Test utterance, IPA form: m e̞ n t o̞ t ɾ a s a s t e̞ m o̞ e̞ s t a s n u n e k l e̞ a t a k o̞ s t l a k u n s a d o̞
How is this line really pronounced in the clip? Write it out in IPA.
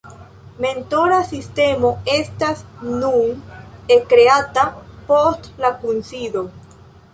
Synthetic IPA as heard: m e̞ n t o̞ ɾ a s i s t e̞ m o̞ e̞ s t a s n u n e k ɾ e̞ a t a p o̞ s t l a k u n s i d o̞

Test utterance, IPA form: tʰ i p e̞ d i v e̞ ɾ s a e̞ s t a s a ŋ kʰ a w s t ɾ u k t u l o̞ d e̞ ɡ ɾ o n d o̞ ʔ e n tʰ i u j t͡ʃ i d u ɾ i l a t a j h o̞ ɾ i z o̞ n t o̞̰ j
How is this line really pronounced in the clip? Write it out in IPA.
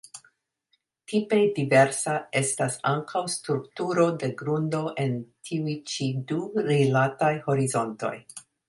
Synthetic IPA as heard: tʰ i p e̞ d i v e̞ ɾ s a e̞ s t a s a ŋ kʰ a w s t ɾ u k t u ɾ o̞ d e̞ ɡ ɾ u n d o̞ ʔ e n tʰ i u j t͡ʃ i d u ɾ i l a t a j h o̞ ɾ i z o̞ n t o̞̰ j

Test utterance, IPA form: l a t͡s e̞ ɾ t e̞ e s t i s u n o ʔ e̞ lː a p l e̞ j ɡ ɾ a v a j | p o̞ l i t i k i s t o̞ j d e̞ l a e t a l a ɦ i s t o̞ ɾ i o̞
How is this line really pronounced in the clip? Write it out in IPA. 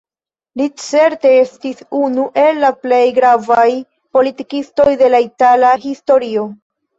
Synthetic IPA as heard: l i t͡s e̞ ɾ t e̞ e s t i s u n u ʔ e̞ lː a p l e̞ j ɡ ɾ a v a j | p o̞ l i t i k i s t o̞ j d e̞ l a i t a l a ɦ i s t o̞ ɾ i o̞

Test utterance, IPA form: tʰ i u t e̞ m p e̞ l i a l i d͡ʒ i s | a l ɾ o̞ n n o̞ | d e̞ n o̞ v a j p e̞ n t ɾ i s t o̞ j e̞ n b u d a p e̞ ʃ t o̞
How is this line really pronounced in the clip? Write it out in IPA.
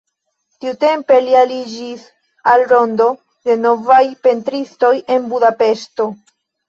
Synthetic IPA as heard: t i u t e̞ m p e̞ l i a l i d͡ʒ i s | a l ɾ o̞ n d o̞ | d e̞ n o̞ v a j p e̞ n t ɾ i s t o̞ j e̞ n b u d a p e̞ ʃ t o̞

